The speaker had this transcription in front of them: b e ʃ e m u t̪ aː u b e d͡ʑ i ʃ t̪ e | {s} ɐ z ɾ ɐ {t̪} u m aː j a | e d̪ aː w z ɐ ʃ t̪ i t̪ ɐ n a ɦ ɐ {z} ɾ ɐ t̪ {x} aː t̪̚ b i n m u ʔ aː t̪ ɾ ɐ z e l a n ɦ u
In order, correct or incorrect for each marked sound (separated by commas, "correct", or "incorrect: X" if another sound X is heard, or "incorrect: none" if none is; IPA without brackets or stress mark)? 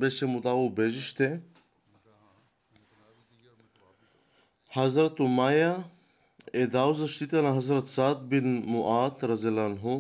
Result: incorrect: h, correct, correct, incorrect: s